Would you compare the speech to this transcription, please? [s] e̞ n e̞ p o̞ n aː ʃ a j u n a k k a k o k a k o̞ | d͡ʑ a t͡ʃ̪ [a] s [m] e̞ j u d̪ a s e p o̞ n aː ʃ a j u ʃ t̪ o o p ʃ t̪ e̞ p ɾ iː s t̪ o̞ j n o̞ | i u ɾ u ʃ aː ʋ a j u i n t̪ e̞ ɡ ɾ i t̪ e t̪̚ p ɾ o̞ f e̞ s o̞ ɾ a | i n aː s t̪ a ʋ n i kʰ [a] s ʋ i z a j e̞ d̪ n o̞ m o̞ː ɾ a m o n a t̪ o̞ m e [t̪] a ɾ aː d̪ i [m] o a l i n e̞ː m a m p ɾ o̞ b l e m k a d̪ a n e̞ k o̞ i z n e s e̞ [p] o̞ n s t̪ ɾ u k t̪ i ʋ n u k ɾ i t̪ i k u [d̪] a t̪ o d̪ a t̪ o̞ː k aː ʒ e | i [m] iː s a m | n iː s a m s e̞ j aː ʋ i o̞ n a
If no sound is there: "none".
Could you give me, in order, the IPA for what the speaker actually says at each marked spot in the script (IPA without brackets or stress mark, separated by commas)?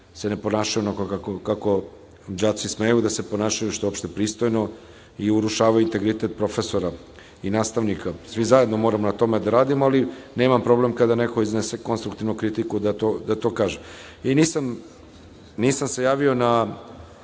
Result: s, i, m, a, d̪, m, k, d̪, n